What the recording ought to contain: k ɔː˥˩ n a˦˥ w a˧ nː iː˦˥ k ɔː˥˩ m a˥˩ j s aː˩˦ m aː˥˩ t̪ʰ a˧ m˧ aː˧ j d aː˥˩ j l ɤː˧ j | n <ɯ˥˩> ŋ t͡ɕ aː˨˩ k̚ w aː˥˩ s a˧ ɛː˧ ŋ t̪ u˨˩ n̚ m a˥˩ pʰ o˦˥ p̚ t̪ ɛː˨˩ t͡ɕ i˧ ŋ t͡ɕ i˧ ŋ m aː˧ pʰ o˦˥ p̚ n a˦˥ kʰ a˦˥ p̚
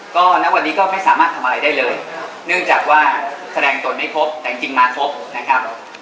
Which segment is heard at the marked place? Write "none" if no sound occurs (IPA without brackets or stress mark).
ɯ˥˩